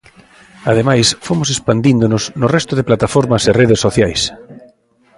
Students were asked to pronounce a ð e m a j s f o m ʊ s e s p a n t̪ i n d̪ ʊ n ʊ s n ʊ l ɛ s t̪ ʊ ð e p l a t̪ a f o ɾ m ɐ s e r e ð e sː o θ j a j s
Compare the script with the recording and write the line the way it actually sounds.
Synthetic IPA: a ð e m a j s f o m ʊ s e s p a n d̪ i n d̪ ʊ n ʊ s n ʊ r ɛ s t̪ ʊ ð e p l a t̪ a f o ɾ m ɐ s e r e ð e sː o θ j a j s